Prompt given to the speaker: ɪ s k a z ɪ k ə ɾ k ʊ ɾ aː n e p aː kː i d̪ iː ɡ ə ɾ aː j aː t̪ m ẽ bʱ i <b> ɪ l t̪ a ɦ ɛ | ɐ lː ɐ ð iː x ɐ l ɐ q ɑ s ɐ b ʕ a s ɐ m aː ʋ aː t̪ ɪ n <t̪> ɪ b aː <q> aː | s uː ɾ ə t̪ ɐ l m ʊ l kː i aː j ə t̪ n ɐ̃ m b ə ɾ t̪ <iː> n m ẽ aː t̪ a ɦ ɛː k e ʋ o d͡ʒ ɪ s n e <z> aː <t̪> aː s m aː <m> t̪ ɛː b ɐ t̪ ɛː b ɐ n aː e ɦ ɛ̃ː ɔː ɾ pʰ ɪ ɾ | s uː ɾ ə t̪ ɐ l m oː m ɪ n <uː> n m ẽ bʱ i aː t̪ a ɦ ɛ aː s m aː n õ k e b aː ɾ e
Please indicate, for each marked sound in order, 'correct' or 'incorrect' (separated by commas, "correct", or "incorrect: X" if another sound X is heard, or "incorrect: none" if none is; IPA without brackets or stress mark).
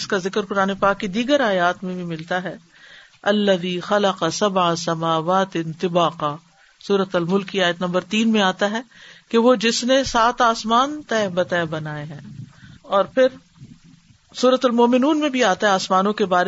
incorrect: m, correct, correct, correct, incorrect: s, correct, incorrect: n, correct